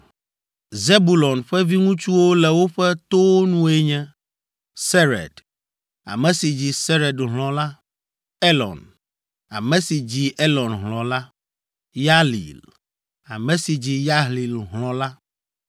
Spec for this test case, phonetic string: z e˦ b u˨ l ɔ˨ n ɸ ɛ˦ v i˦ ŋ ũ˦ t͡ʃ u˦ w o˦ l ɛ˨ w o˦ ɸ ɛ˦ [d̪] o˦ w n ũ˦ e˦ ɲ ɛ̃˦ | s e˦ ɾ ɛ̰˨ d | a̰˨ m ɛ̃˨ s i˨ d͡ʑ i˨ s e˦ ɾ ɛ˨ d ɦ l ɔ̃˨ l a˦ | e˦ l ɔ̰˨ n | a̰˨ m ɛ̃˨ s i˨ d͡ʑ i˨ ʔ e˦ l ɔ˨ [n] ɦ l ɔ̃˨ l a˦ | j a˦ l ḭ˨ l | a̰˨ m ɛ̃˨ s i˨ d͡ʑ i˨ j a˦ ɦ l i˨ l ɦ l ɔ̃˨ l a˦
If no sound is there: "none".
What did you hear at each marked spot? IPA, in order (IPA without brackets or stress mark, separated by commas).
t̪, n